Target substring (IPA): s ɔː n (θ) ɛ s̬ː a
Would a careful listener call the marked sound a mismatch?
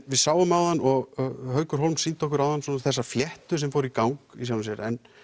no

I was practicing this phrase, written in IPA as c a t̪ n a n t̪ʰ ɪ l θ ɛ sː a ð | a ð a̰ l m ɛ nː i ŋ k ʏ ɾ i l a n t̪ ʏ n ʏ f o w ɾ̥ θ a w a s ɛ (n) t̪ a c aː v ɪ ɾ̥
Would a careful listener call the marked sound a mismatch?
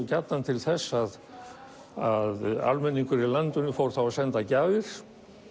no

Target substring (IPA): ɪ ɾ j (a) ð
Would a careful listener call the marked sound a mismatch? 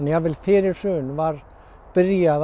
no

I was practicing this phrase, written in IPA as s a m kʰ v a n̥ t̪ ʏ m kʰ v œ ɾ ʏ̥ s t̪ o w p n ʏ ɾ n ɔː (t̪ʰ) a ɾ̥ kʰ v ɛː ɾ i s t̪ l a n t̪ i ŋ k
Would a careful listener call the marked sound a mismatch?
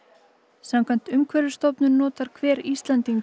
yes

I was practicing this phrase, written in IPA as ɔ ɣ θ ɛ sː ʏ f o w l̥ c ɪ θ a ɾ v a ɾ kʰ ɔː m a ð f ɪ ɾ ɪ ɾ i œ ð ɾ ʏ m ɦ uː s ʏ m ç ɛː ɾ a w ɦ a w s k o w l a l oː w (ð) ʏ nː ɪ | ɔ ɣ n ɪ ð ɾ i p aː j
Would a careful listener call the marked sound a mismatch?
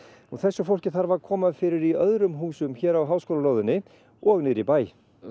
no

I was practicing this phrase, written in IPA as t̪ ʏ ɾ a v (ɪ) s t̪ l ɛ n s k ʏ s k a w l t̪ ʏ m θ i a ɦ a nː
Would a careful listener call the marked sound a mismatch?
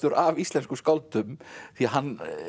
yes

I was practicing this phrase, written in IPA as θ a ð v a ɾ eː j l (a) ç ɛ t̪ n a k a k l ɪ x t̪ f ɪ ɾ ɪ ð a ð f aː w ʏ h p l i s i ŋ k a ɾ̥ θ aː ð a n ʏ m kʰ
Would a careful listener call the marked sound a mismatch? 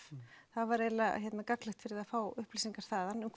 no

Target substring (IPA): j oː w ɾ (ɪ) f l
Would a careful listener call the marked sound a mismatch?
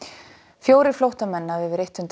no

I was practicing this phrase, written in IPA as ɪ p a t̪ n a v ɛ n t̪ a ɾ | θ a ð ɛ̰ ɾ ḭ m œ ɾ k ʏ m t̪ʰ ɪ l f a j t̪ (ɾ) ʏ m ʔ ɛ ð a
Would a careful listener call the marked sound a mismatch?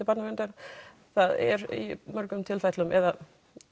yes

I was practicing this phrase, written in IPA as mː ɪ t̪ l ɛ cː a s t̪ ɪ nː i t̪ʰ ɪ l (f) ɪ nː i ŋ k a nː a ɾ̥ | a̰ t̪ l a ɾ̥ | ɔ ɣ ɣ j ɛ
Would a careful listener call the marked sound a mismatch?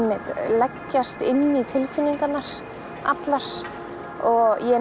no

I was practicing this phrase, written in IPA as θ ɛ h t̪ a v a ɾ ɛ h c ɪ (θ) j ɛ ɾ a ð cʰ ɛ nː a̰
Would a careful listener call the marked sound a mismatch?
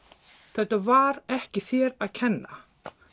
no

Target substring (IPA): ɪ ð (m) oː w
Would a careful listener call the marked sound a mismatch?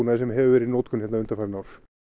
yes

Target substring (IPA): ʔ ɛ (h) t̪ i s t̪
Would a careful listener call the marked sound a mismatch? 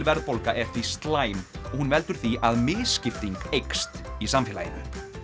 yes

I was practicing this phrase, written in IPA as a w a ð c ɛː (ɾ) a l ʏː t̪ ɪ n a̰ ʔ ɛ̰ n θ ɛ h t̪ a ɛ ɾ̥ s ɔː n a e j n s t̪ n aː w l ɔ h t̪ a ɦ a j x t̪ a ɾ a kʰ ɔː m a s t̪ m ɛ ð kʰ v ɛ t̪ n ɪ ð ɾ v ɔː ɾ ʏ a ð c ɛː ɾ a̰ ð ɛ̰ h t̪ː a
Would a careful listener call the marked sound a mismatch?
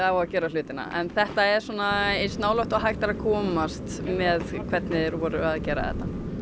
no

